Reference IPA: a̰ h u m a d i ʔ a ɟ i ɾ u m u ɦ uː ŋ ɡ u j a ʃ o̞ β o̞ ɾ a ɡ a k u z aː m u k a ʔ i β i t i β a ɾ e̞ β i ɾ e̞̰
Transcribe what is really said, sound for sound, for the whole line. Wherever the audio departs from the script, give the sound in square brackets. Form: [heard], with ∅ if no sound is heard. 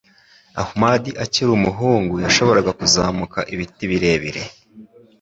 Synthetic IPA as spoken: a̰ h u m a d i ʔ a [c] i ɾ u m u ɦ uː ŋ ɡ u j a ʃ o̞ β o̞ ɾ a ɡ a k u z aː m u k a ʔ i β i t i β [i] ɾ e̞ β i ɾ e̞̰